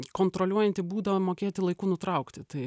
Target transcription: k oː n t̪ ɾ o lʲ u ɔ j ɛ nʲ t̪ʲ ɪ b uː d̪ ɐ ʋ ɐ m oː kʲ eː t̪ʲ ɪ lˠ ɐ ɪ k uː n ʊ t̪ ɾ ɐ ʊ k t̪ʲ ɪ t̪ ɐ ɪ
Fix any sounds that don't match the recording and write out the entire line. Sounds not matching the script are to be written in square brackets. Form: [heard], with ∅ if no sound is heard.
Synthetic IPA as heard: k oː n t̪ ɾ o lʲ u ɔ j ɛ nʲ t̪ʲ ɪ b uː d̪ ɐ ʋ ɐ m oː kʲ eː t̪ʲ ɪ lˠ ɐ ɪ k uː n ʊ t̪ ɾ ɐ ʊ k t̪ʲ ɪ t̪ ɐ ɪ